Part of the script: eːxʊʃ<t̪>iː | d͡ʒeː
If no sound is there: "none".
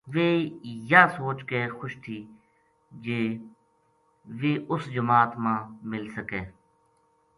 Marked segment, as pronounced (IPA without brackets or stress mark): t̪ʰ